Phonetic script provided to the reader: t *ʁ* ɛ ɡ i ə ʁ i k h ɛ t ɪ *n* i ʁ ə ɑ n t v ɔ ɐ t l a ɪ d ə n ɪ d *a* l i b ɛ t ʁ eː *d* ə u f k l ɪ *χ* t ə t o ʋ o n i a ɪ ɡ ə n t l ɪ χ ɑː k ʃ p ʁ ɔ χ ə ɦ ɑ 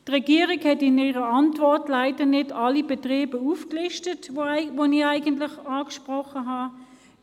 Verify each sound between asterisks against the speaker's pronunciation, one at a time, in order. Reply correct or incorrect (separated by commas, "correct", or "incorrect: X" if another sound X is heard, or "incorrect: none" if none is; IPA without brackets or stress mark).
correct, correct, incorrect: ɑ, incorrect: b, incorrect: ʃ